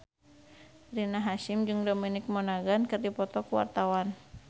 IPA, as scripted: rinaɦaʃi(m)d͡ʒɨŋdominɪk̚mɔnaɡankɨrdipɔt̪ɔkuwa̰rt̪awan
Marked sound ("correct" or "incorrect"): correct